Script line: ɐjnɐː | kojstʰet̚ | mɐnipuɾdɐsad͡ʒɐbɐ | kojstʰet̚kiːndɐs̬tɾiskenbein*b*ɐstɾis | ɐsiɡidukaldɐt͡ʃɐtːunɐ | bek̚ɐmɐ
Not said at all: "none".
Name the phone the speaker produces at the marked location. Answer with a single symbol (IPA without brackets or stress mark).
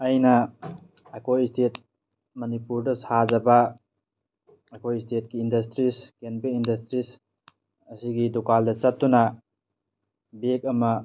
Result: d